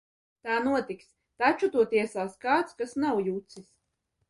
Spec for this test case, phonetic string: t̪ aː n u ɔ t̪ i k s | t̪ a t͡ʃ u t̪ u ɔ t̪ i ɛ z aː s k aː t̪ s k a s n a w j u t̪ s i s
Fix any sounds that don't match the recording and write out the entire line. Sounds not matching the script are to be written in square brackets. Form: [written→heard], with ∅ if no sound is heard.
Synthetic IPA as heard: t̪ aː n u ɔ t̪ i k s | t̪ a t͡ʃ u t̪ u ɔ t̪ i ɛ [z→s] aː s k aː t̪ s k a s n a w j u t̪ s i s